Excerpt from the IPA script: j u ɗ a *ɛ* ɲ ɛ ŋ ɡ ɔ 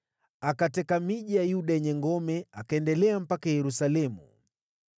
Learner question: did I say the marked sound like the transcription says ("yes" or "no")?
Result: yes